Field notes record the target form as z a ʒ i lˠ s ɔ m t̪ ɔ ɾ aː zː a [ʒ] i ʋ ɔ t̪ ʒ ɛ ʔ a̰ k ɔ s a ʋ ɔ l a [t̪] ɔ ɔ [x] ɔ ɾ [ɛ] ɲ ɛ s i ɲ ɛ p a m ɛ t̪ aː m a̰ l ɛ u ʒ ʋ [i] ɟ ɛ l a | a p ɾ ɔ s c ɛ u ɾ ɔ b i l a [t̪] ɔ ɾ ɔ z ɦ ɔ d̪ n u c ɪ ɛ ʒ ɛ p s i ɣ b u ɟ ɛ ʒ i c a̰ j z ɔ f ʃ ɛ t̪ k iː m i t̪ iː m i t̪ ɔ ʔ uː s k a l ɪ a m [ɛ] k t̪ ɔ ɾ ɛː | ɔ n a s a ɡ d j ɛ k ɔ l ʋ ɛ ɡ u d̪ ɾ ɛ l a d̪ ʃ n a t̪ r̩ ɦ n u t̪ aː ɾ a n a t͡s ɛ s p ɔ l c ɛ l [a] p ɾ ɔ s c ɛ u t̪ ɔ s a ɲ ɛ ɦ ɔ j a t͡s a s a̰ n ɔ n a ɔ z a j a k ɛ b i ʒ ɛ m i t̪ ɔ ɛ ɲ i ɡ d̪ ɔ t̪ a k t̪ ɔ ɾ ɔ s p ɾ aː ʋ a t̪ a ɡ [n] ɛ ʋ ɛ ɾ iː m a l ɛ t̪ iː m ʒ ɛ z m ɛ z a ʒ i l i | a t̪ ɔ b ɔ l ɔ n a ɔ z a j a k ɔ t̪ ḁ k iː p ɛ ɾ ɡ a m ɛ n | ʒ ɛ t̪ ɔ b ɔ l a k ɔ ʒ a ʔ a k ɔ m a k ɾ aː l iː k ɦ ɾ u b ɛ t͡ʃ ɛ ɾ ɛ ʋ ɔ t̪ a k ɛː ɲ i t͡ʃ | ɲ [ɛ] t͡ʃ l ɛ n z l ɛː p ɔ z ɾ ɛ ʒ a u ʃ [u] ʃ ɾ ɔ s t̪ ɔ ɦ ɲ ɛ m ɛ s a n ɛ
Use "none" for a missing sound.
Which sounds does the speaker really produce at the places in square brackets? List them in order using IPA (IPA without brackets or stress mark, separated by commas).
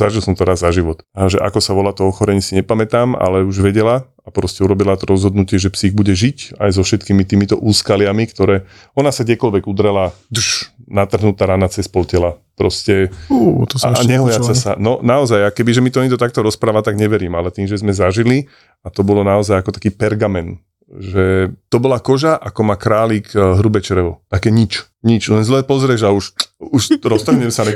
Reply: ʒ, t̪, x, ɛ, ɛ, t̪, i, a, ɲ, i, u